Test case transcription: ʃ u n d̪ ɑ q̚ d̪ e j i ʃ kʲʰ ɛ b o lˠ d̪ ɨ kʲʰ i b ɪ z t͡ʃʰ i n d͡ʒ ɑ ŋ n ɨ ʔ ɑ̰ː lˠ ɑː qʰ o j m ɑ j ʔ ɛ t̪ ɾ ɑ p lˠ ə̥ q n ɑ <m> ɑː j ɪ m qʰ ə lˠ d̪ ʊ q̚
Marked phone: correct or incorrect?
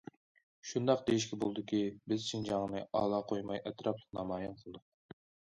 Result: correct